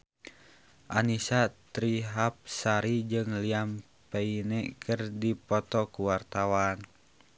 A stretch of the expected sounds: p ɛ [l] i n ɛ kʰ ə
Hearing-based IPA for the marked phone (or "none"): none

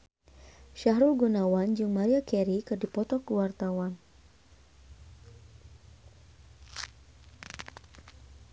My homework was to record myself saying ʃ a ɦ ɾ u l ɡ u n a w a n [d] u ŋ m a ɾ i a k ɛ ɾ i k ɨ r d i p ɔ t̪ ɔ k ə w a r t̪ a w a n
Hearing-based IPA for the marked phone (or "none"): d͡ʒ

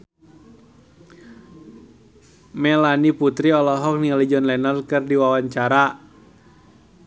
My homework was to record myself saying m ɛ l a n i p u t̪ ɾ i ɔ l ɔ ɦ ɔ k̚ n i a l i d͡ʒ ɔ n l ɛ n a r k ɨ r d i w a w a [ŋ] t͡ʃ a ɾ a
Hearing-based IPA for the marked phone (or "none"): ɲ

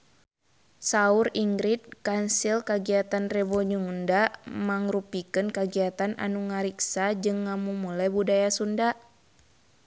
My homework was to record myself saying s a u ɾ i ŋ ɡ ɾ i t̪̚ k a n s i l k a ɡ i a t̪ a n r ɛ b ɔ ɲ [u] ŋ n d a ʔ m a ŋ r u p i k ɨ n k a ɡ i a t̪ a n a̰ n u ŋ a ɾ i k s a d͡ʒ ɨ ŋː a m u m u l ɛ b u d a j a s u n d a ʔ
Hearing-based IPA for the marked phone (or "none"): u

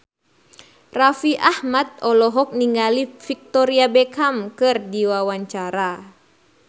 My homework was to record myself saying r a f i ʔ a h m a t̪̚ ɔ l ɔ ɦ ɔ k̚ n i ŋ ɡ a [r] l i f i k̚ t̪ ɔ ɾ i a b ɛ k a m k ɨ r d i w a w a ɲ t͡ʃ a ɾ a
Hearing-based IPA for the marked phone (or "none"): none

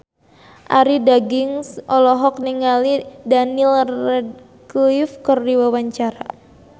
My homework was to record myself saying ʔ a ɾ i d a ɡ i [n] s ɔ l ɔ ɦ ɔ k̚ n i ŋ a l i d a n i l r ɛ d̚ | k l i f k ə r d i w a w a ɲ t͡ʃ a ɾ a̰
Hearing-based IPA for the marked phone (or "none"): ŋ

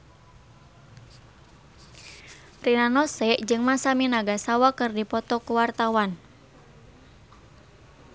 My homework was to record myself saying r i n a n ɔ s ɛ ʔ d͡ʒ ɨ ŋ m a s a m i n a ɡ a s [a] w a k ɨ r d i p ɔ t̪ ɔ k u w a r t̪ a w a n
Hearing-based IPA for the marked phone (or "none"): a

